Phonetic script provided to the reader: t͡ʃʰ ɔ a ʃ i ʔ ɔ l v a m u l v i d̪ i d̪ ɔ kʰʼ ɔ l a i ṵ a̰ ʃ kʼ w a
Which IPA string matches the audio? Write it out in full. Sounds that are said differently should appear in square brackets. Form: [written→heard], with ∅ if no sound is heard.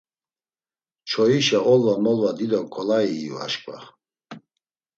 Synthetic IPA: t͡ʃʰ ɔ [a→i] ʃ [i→a] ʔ ɔ l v a m [u→ɔ] l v [i→a] d̪ i d̪ ɔ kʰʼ ɔ l a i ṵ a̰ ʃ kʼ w a